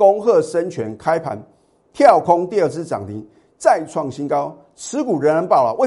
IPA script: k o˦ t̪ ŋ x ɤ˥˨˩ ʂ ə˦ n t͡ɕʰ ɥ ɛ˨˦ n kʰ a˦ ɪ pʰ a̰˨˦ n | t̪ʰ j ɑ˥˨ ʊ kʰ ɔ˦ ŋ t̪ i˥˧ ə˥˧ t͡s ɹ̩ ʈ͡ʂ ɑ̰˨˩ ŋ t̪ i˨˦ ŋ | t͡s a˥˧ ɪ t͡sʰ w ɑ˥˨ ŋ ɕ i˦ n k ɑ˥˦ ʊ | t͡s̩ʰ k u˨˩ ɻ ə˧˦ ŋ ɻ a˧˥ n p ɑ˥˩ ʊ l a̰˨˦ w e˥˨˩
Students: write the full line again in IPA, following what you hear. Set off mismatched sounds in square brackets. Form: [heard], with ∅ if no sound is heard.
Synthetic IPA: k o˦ [∅] ŋ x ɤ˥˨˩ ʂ ə˦ n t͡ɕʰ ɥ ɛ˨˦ n kʰ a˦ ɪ pʰ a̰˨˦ n | t̪ʰ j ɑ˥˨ ʊ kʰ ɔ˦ ŋ t̪ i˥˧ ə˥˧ t͡s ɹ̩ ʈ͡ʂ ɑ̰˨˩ ŋ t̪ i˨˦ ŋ | t͡s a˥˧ ɪ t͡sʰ w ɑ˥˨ ŋ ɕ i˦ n k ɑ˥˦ ʊ | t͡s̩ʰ k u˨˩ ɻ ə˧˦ [n] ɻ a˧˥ n p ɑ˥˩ ʊ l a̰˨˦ w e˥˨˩